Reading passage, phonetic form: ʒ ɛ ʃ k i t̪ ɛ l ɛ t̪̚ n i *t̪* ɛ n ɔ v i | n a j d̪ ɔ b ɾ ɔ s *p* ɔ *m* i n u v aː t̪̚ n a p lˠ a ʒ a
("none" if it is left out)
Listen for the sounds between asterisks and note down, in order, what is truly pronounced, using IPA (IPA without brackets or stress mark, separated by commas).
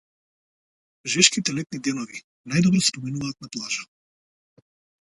d̪, p, m